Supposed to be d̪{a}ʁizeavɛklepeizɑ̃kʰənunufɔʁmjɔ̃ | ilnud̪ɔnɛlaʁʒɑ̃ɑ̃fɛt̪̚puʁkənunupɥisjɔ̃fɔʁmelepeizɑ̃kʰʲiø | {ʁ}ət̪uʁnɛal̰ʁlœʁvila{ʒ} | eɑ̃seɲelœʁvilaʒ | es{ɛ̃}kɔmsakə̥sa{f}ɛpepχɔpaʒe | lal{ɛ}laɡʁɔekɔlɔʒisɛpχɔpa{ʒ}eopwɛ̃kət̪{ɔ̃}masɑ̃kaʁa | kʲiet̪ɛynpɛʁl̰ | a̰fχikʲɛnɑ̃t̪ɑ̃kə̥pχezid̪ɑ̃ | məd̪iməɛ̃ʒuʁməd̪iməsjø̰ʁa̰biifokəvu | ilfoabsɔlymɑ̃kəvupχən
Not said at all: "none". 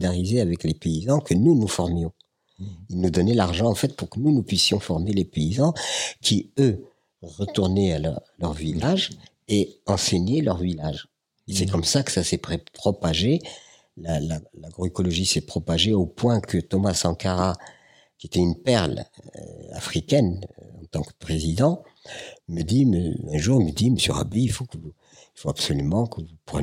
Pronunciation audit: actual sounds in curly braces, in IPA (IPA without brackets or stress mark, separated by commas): a, ʁ, ʒ, ɛ, s, a, ʒ, ɔ